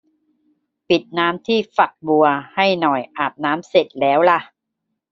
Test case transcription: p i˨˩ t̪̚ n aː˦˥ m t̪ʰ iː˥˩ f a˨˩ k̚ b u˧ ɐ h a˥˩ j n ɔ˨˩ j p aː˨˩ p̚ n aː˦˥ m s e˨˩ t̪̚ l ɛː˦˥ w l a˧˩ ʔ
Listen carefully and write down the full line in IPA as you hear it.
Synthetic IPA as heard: p i˨˩ t̪̚ n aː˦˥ m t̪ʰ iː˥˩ f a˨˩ k̚ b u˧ ɐ h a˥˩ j n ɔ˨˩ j ʔ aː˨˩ p̚ n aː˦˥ m s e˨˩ t̪̚ l ɛː˦˥ w l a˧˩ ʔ

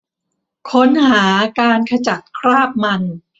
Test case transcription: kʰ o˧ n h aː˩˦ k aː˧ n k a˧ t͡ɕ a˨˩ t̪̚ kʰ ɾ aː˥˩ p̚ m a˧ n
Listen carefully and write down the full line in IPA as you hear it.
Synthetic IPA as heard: kʰ o˦˥ n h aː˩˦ k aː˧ n kʰ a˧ t͡ɕ a˨˩ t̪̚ kʰ ɾ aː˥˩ p̚ m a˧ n

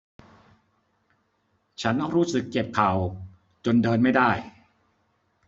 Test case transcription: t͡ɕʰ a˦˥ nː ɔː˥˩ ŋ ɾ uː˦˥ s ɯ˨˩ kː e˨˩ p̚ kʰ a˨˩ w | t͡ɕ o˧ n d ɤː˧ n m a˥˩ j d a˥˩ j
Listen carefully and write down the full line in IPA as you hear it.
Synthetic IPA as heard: t͡ɕʰ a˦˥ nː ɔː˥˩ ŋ ɾ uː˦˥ s ɯ˨˩ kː e˨˩ p̚ kʰ a˨˩ w | t͡ɕ o˧ n d ɤː˧ n m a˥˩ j d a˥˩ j

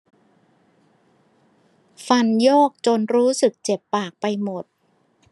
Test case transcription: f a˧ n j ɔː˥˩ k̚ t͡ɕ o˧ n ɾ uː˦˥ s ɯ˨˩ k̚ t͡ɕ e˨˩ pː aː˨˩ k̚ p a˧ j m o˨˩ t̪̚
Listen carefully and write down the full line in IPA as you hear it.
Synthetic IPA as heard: f a˧ n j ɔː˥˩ k̚ t͡ɕ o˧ n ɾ uː˦˥ s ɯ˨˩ k̚ t͡ɕ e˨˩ pː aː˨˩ k̚ p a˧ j m o˨˩ t̪̚

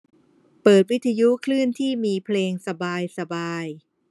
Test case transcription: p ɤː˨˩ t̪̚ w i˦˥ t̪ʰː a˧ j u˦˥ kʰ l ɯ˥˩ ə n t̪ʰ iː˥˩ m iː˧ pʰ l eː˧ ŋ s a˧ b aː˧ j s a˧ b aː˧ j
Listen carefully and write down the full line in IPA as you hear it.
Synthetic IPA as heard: p ɤː˨˩ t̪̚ w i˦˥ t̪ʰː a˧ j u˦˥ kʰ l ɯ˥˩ ə n t̪ʰ iː˥˩ m iː˧ pʰ l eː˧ ŋ s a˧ b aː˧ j s a˧ b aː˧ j

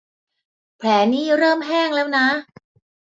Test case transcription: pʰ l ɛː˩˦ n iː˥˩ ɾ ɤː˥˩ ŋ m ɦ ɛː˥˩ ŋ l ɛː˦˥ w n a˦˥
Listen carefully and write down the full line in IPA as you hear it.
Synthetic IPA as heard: pʰ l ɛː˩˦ n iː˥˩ ɾ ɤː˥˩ m ɦ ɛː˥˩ ŋ l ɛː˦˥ w n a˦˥

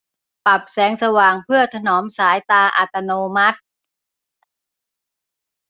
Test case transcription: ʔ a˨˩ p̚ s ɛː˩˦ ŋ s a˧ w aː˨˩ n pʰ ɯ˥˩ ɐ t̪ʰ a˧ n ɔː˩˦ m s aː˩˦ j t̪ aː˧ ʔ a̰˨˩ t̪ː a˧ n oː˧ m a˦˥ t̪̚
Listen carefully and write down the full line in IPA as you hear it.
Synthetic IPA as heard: p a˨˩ p̚ s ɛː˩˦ ŋ s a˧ w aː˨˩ ŋ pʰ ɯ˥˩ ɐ t̪ʰ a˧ n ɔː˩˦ m s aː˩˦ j t̪ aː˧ ʔ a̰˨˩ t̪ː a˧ n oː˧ m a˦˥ t̪̚

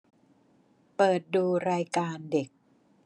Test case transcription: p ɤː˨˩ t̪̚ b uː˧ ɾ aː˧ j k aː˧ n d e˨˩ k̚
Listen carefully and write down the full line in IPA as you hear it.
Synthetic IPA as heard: p ɤː˨˩ t̪̚ d uː˧ ɾ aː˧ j k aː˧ n d e˨˩ k̚

